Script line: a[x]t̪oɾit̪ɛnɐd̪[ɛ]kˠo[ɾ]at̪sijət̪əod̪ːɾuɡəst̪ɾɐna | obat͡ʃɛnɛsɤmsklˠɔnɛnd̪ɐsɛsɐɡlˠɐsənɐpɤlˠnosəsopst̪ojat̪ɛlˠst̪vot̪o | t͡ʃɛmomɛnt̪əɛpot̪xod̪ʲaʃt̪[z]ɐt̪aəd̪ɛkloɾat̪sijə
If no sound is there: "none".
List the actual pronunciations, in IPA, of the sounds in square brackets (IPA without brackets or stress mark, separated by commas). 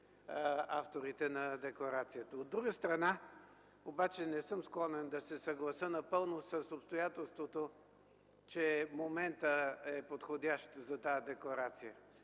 f, ɛ, ɾ, z